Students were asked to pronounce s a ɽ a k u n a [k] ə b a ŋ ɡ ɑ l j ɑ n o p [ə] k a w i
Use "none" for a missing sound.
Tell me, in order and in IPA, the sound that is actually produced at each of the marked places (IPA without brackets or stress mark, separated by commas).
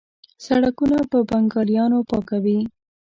p, ɑ